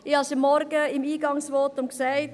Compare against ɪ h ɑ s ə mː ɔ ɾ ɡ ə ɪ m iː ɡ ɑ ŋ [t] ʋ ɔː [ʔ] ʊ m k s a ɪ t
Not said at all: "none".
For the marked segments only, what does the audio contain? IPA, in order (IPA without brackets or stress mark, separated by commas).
s, t